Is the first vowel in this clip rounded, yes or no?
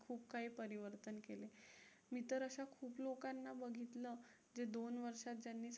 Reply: yes